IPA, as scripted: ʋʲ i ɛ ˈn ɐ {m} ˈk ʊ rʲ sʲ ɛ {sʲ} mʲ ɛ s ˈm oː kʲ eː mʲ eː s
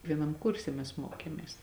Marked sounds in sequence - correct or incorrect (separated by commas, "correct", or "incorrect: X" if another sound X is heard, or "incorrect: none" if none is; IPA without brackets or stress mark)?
correct, incorrect: none